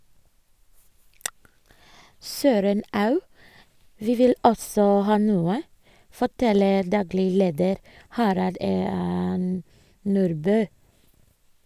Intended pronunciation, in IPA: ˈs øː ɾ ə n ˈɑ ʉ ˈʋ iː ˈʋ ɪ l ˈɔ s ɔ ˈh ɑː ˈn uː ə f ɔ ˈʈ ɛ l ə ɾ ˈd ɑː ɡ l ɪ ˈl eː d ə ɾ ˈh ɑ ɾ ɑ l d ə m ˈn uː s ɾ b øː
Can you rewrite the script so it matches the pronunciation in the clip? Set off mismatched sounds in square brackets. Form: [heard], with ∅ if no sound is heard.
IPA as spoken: ˈs øː ɾ ə n ˈɑ ʉ ˈʋ iː ˈʋ ɪ l ˈɔ s ɔ ˈh ɑː ˈn uː ə f ɔ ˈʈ ɛ l ə ɾ ˈd ɑː ɡ l ɪ ˈl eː d ə ɾ ˈh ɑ ɾ ɑ l d ə m ˈn uː [∅] ɾ b øː